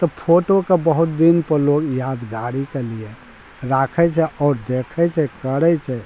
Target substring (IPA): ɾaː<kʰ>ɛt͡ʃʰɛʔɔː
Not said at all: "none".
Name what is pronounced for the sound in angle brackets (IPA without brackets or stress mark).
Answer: kʰ